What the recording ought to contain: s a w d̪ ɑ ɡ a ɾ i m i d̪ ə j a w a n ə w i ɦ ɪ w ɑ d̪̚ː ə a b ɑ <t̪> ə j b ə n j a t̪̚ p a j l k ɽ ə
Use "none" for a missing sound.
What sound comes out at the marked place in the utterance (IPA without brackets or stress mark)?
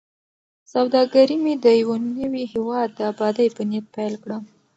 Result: d̪